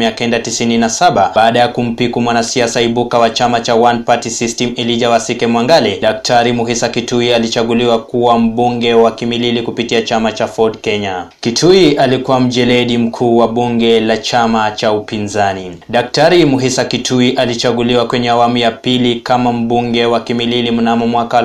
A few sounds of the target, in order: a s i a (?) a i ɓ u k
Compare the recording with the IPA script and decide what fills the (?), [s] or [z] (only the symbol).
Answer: s